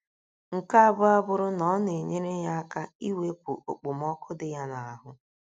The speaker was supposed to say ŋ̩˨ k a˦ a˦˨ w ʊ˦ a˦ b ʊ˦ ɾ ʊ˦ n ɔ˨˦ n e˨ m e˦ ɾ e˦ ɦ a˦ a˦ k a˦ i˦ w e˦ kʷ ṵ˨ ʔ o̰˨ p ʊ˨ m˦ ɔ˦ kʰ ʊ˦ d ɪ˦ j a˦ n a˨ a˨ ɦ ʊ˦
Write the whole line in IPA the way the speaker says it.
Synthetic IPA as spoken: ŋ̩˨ k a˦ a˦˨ b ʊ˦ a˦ b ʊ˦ ɾ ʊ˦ n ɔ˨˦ n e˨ ɲ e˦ ɾ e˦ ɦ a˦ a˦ k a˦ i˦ w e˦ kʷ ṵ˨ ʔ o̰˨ k͡p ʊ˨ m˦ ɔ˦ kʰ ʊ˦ d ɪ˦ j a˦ n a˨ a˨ ɦ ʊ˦